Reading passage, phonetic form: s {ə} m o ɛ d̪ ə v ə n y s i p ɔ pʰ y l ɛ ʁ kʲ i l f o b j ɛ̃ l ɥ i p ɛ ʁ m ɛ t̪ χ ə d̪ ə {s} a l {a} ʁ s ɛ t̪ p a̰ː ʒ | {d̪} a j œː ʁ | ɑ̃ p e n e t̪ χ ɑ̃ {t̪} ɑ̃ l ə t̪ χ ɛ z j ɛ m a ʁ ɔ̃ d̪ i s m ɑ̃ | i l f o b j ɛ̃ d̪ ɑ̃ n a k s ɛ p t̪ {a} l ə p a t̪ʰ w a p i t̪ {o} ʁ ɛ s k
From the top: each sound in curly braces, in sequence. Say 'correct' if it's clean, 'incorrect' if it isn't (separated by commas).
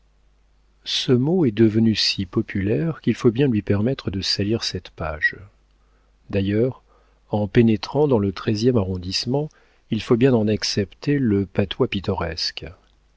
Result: correct, correct, incorrect, correct, incorrect, incorrect, incorrect